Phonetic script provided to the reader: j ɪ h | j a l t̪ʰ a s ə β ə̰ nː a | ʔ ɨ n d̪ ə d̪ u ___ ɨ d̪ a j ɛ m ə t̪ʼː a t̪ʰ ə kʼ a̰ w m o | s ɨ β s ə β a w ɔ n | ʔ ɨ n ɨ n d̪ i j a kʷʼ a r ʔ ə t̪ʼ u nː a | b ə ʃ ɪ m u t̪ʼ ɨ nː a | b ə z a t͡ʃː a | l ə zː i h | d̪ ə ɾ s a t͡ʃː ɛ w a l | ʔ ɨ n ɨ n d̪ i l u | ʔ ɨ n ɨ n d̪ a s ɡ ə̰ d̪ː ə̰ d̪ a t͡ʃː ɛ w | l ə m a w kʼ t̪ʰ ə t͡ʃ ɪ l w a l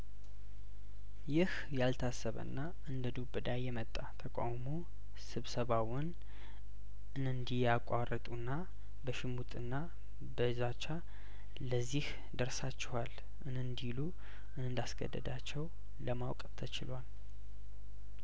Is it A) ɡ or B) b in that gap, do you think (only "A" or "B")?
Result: B